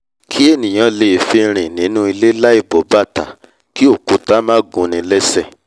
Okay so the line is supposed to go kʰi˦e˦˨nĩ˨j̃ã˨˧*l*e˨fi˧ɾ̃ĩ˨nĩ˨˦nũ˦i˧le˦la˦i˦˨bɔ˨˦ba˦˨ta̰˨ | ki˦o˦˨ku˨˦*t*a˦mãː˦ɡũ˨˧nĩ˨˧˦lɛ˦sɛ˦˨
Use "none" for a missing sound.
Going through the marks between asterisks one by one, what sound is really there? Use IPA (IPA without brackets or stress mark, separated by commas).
l, t